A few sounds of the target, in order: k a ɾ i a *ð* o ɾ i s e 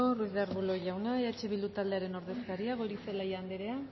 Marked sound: incorrect: ɣ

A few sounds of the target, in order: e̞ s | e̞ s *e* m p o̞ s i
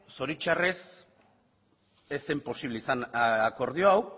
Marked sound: correct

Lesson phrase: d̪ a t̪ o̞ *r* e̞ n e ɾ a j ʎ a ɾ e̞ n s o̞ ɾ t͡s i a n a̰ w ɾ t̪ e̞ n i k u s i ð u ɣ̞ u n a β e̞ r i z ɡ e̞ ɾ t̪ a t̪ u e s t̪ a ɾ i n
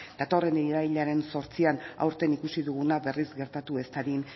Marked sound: correct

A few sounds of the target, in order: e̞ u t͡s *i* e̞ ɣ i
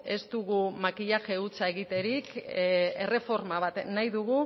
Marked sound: incorrect: a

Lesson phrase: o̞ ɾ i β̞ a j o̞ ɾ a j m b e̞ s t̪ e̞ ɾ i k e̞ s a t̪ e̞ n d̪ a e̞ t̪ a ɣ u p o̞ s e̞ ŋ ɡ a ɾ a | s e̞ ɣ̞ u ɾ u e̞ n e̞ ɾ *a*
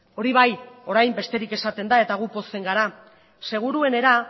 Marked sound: correct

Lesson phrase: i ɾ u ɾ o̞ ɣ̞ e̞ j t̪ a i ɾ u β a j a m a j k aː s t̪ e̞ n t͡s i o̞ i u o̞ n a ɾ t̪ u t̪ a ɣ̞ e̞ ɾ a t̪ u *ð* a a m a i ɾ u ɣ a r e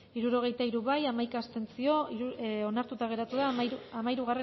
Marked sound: correct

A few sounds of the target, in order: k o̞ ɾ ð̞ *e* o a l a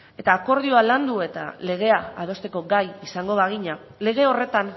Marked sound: incorrect: i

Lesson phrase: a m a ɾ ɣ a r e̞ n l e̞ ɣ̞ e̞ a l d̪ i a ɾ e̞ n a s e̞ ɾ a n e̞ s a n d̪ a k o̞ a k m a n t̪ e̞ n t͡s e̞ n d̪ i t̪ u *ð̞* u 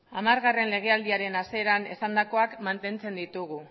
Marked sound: incorrect: ɣ̞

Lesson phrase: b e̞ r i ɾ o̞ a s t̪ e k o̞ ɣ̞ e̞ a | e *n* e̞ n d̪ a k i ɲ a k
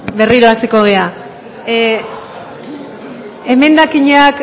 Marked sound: incorrect: m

